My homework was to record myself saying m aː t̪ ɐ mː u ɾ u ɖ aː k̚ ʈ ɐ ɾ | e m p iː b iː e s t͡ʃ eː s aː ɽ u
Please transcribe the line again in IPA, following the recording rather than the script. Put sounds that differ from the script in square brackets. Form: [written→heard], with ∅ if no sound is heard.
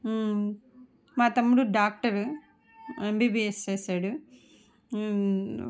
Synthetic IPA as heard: m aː t̪ ɐ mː u [ɾ→ɽ] u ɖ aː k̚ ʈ ɐ ɾ | e m [p→b] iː b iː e s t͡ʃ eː s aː ɽ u